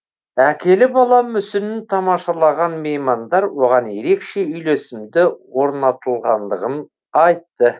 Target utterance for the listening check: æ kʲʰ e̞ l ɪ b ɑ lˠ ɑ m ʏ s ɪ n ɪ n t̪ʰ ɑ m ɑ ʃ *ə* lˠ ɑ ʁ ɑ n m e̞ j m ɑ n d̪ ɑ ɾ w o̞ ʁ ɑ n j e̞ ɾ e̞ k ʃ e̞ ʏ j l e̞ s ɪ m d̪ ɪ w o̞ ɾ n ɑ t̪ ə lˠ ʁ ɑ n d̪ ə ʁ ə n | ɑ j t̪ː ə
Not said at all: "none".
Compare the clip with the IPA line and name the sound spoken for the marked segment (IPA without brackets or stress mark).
ɑ